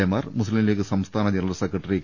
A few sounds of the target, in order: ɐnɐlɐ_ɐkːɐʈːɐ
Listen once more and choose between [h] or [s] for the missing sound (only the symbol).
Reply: s